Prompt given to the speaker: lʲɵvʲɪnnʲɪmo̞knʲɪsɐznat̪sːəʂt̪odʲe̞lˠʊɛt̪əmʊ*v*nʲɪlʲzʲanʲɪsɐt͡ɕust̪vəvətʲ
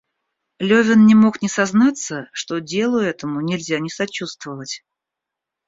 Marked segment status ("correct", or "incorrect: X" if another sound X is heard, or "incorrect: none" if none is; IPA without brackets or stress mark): incorrect: none